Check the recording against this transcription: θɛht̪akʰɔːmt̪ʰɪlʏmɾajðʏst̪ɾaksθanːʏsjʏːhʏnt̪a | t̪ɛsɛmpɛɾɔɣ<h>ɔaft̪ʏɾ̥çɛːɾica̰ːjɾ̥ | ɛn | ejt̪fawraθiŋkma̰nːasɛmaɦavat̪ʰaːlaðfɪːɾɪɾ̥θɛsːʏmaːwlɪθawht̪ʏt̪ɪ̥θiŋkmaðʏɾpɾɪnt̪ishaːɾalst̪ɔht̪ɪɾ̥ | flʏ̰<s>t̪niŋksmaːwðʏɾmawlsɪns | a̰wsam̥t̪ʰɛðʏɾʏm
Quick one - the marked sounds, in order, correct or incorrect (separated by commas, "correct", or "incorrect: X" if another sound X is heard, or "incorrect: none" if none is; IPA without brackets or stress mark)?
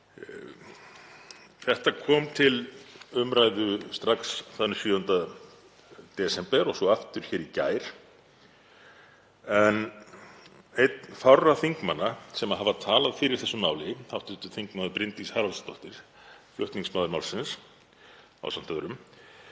incorrect: s, incorrect: h